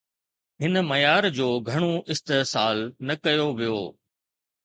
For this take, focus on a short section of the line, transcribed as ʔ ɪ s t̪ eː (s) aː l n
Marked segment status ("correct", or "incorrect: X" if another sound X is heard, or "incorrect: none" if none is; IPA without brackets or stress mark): correct